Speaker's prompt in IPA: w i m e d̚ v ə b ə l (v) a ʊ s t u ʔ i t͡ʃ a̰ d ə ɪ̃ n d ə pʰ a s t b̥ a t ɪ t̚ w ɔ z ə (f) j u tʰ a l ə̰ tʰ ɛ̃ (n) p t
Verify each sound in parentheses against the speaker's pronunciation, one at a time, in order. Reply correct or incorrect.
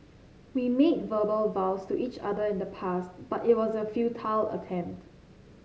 correct, correct, incorrect: m

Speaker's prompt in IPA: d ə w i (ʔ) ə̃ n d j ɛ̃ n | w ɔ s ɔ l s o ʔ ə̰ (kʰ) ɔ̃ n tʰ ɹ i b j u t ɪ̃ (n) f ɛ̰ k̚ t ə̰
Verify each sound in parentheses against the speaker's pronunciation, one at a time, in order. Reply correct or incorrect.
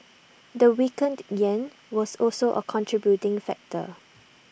incorrect: k, correct, incorrect: ŋ

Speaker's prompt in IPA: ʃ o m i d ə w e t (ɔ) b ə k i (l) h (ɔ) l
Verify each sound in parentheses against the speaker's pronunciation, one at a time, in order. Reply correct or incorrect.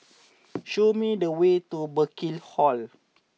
incorrect: u, correct, correct

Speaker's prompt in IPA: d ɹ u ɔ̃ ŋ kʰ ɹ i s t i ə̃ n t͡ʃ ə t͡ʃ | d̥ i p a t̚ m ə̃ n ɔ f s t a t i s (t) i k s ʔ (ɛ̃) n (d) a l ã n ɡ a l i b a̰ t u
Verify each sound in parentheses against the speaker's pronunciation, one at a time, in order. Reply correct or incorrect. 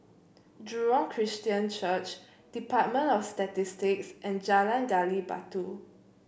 correct, correct, incorrect: d͡ʒ

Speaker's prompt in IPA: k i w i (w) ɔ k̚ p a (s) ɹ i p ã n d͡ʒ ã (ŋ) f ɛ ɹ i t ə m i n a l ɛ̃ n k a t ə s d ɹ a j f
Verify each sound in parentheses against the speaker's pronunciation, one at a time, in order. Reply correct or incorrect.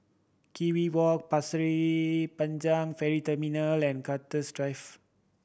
correct, correct, correct

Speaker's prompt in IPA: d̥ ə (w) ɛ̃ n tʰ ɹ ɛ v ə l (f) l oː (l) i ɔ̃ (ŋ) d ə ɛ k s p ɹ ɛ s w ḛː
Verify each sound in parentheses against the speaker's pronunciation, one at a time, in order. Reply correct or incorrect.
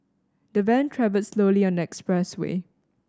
incorrect: v, incorrect: s, correct, incorrect: n

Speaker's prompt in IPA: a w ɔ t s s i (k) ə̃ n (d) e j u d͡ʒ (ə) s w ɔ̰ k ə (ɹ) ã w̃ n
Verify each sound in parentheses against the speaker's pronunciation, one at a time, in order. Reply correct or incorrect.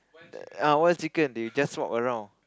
correct, correct, incorrect: a, correct

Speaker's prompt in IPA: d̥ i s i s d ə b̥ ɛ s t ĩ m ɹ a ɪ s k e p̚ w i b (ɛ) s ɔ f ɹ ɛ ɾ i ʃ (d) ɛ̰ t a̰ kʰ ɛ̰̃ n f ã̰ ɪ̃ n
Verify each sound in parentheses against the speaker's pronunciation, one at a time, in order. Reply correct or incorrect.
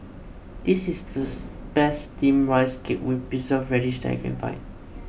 incorrect: i, correct

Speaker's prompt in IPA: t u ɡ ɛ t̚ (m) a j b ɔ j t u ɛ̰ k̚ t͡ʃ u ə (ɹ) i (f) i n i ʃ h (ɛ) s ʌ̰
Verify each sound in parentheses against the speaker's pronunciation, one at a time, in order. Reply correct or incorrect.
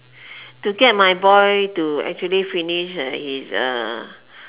correct, incorrect: l, correct, incorrect: i

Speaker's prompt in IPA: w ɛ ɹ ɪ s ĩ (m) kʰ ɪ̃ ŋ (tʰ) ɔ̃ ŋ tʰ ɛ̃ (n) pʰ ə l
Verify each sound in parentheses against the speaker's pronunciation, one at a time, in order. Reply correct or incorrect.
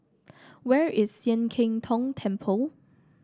incorrect: n, correct, incorrect: m

